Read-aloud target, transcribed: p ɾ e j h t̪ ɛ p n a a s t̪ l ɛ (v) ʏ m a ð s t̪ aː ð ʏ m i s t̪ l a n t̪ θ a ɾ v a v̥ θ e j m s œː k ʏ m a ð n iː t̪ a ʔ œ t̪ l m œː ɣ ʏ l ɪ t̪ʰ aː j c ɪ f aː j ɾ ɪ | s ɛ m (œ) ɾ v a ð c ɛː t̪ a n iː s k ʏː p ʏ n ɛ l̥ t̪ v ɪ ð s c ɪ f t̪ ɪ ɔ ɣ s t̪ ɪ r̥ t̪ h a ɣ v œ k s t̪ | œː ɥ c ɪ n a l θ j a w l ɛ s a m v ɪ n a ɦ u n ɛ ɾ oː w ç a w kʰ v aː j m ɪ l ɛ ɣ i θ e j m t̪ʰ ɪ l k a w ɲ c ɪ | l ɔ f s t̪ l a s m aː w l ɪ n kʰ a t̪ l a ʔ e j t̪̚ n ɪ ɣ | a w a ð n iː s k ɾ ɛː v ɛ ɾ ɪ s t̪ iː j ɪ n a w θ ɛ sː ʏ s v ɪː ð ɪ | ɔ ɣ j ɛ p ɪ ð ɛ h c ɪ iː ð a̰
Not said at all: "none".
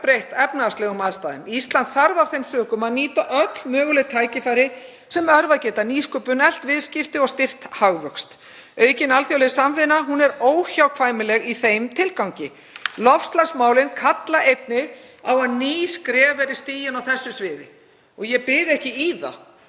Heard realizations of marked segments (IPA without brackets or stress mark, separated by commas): ɣ, œ